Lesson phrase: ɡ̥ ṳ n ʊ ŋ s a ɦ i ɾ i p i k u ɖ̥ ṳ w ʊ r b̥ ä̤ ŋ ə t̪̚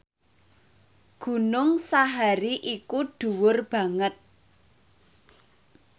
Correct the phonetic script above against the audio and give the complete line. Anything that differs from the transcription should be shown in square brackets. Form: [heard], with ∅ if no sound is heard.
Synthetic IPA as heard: ɡ̥ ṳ n ʊ ŋ s a ɦ [a] ɾ i [ʔ] i k u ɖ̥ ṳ w ʊ r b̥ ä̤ ŋ ə t̪̚